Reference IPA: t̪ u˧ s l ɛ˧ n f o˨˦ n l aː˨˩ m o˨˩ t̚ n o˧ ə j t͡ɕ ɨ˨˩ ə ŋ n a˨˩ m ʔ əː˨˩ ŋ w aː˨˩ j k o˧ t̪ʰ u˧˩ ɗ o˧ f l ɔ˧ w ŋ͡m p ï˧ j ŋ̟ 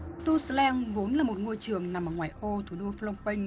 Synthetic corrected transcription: t̪ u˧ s l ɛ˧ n v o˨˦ n l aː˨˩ m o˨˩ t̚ ŋ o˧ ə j t͡ɕ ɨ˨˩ ə ŋ n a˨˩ m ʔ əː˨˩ ŋ w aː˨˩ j ʔ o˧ t̪ʰ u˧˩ ɗ o˧ f l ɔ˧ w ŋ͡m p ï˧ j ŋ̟